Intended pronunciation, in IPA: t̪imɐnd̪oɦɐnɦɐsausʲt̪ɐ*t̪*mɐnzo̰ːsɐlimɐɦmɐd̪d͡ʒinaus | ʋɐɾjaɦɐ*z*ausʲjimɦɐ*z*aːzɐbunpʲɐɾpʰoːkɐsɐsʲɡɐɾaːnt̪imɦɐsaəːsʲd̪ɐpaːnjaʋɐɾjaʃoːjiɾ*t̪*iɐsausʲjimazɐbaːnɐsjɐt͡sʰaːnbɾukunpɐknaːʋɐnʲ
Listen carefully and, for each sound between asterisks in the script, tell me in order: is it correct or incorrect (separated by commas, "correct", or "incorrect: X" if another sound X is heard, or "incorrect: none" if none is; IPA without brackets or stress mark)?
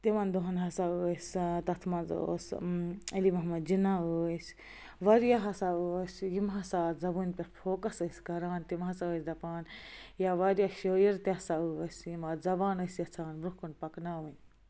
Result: incorrect: t̪ʰ, incorrect: s, incorrect: s, correct